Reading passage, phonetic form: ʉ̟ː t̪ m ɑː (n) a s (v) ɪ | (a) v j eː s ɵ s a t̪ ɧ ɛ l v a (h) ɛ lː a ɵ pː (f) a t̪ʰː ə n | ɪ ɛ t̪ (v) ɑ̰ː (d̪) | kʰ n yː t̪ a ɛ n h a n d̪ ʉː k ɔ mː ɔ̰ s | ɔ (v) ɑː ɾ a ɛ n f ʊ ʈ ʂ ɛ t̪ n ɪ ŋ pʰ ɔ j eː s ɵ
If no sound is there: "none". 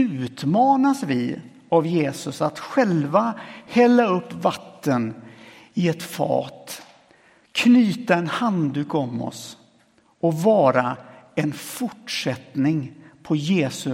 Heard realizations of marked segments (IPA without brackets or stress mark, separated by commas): n, v, a, h, v, f, t̪, v